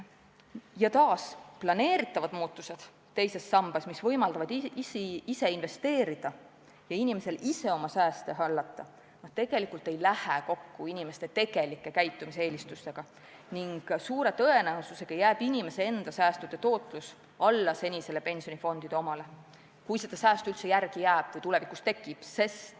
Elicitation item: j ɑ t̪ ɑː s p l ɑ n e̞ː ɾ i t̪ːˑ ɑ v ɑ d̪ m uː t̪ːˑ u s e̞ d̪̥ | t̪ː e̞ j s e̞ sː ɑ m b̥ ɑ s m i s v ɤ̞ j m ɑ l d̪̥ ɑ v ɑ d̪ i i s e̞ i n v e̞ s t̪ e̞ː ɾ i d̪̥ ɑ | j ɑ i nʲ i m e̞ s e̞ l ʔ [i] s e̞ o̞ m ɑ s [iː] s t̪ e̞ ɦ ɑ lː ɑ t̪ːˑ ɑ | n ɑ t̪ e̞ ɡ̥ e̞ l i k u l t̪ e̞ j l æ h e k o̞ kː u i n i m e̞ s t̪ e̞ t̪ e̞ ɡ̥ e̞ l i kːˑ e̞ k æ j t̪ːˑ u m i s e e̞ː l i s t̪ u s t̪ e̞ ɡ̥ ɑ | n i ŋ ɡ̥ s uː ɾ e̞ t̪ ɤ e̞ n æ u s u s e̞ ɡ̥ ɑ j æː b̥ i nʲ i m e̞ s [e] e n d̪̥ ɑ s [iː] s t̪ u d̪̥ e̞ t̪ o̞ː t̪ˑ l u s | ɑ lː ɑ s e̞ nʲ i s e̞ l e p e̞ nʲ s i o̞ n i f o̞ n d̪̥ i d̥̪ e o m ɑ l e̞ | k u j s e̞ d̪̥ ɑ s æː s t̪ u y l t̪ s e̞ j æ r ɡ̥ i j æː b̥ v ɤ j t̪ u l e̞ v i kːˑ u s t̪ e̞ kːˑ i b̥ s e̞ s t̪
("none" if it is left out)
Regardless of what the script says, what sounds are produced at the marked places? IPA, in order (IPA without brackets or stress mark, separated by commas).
i, æː, e, æː